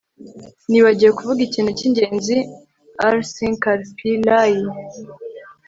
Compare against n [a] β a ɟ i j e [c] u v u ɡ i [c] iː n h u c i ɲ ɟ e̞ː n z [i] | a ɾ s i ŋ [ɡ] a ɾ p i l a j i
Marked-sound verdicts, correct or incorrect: incorrect, incorrect, correct, correct, incorrect

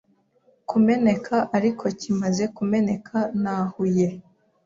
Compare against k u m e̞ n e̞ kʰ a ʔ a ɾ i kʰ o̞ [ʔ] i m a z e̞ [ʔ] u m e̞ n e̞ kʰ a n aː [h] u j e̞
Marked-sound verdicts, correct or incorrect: incorrect, incorrect, correct

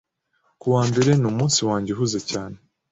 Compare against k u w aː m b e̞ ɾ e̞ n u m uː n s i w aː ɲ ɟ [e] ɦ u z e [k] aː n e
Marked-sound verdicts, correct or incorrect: correct, incorrect

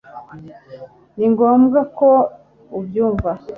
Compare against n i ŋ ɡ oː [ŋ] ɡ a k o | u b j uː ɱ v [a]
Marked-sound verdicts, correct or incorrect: incorrect, correct

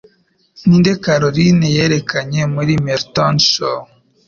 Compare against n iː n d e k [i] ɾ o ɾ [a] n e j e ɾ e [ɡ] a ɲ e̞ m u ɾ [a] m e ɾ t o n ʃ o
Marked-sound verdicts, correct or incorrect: incorrect, incorrect, incorrect, incorrect

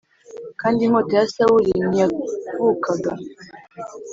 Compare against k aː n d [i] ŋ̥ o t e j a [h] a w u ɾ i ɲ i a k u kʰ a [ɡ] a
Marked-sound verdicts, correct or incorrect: correct, incorrect, correct

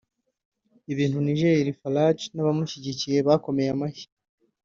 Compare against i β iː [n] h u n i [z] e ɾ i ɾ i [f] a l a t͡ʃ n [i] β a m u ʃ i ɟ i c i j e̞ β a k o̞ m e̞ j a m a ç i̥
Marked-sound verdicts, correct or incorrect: correct, incorrect, correct, incorrect

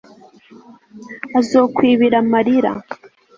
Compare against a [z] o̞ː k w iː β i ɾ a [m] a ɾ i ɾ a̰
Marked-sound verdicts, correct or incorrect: correct, correct

